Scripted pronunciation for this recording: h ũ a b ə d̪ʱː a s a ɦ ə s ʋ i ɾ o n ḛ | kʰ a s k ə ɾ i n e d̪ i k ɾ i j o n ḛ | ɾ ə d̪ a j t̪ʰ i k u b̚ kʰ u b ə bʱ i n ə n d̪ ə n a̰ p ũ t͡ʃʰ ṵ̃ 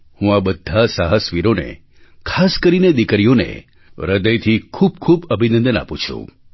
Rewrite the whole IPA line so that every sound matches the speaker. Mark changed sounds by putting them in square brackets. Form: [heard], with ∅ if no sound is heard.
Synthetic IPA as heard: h ũ a b ə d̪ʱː a s a ɦ ə s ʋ i ɾ o n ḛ | kʰ a s k ə ɾ i n e d̪ i k ɾ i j o n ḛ | ɾ ə d̪ [ə] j t̪ʰ i [kʰ] u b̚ kʰ u b ə bʱ i n ə n d̪ ə n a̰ p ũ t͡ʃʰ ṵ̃

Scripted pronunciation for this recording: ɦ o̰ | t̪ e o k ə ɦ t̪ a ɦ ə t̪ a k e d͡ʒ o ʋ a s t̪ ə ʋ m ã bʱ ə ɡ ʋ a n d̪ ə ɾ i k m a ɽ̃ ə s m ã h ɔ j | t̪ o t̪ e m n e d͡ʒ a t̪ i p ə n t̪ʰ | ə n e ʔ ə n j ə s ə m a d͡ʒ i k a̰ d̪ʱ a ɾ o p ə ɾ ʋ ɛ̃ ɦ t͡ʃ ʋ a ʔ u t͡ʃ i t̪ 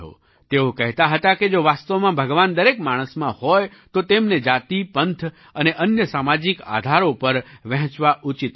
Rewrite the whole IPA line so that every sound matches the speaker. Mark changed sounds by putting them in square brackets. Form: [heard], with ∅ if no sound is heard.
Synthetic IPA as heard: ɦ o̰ | t̪ e o k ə ɦ t̪ a ɦ ə t̪ a k e d͡ʒ o ʋ a s t̪ ə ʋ m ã bʱ ə ɡ ʋ a n d̪ ə ɾ [e] k m a ɽ̃ ə s m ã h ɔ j | t̪ o t̪ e m n e d͡ʒ a t̪ i p ə n t̪ʰ | ə n e ʔ ə n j ə s [a] m a d͡ʒ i k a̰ d̪ʱ a ɾ o p ə ɾ ʋ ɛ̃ ɦ t͡ʃ ʋ a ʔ u t͡ʃ i t̪

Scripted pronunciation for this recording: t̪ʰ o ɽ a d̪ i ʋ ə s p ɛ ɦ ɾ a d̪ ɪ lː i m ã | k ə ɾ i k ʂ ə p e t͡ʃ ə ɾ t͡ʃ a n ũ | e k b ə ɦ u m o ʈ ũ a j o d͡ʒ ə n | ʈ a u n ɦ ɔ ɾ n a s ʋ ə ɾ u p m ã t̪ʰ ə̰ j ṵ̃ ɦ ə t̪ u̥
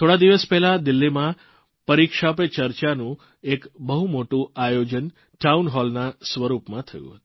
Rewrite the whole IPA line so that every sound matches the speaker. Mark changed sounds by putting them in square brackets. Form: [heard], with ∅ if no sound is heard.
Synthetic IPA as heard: t̪ʰ o ɽ a d̪ i ʋ ə s p ɛ ɦ [l] a d̪ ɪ lː i m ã | [p] ə ɾ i k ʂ [a] p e t͡ʃ ə ɾ t͡ʃ a n ũ | e k b ə ɦ u m o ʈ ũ a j o d͡ʒ ə n | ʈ a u n ɦ ɔ [l] n a s ʋ ə ɾ u p m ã t̪ʰ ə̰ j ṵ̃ ɦ ə t̪ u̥

